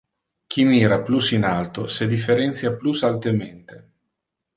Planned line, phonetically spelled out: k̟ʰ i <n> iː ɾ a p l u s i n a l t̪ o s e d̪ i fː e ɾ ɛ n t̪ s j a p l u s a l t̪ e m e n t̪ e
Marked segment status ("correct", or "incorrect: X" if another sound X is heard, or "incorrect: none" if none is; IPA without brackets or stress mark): incorrect: m